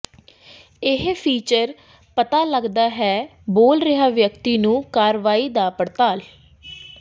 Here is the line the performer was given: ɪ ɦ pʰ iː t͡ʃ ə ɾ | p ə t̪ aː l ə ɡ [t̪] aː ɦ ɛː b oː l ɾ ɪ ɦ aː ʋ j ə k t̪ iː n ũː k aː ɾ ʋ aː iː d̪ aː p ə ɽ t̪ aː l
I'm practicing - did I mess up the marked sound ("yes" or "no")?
yes